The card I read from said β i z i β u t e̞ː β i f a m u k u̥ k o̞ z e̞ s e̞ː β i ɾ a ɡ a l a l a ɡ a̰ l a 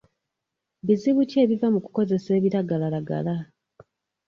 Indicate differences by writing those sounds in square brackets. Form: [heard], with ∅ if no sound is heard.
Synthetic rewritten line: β i z i β u [c] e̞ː β i [v] a m u k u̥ k o̞ z e̞ s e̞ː β i ɾ a ɡ a l a l a ɡ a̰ l a